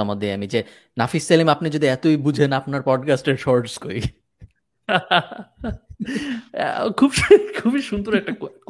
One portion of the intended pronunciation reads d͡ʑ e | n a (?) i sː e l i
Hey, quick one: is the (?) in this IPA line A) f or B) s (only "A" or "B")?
A